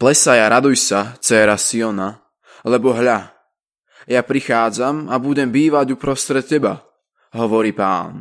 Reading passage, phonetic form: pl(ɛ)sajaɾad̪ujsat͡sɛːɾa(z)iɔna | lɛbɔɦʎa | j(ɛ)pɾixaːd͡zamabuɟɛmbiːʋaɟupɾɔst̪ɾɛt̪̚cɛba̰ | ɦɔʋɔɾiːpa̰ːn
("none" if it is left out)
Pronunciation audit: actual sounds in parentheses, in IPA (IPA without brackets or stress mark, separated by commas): ɛ, s, a